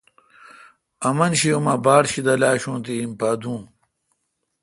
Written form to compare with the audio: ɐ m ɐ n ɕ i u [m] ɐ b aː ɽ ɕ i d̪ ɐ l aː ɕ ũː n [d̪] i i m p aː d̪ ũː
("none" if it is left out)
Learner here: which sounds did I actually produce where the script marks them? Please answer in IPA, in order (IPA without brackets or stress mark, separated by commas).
m, t̪